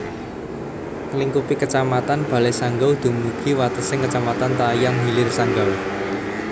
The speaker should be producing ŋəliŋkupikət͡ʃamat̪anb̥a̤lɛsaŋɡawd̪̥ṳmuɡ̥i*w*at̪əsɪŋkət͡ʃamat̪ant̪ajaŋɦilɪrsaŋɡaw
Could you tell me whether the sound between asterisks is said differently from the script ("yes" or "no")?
no